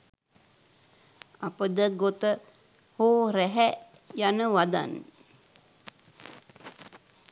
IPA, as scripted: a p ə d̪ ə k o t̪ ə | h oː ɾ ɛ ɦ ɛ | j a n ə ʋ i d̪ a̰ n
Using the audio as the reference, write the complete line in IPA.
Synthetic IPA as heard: a p ə d̪ ə ɡ o t̪ ə | h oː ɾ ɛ ɦ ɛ | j a n ə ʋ a d̪ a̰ n